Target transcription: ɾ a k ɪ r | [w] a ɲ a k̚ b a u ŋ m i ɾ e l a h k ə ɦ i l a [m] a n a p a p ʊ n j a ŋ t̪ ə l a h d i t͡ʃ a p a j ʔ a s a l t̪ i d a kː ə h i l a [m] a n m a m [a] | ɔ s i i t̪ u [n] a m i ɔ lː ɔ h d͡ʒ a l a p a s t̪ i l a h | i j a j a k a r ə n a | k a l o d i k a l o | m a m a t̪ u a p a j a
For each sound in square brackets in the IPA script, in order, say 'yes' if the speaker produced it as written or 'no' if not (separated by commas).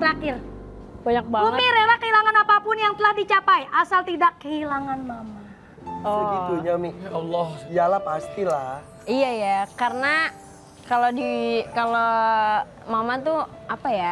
no, no, no, yes, no